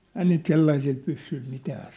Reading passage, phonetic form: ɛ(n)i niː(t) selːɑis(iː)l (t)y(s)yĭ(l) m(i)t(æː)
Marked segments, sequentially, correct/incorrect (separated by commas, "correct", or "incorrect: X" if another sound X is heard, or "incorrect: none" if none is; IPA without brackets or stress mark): incorrect: none, correct, incorrect: i, incorrect: p, incorrect: sː, correct, correct, correct